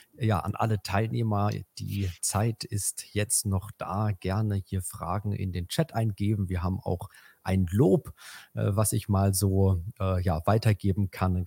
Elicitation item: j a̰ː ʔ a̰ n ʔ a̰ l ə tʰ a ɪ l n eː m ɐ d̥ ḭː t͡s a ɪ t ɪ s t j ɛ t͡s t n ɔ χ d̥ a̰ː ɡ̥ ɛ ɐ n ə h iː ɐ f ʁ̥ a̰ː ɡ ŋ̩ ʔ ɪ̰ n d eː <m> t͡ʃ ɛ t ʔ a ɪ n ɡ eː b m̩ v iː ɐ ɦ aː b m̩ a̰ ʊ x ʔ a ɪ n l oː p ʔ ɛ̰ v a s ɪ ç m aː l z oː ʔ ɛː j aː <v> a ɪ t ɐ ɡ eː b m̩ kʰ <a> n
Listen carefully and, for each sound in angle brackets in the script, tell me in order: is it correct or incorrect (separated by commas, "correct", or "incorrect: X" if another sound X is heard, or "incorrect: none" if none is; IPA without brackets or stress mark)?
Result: incorrect: n, correct, correct